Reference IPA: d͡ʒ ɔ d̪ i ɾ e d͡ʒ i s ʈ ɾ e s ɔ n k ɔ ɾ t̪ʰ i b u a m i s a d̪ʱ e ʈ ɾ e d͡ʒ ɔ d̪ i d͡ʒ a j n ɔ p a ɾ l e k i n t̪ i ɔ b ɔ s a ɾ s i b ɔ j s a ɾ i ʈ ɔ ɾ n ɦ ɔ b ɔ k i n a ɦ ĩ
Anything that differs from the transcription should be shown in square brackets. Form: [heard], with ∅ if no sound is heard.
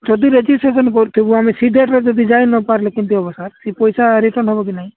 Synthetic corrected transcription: d͡ʒ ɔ d̪ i ɾ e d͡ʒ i s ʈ ɾ e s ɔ n k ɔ ɾ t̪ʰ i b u a m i s [i] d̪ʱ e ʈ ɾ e d͡ʒ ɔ d̪ i d͡ʒ a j n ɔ p a ɾ l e k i n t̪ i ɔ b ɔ s a ɾ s i [p] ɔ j s a ɾ i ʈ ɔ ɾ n ɦ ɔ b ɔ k i n a ɦ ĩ